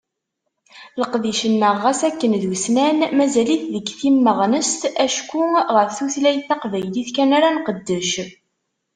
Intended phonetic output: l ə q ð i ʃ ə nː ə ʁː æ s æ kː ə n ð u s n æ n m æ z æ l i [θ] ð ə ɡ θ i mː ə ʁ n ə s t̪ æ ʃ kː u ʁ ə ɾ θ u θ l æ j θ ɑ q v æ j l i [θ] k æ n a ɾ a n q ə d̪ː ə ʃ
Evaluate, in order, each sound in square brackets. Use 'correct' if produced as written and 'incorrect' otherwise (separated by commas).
correct, correct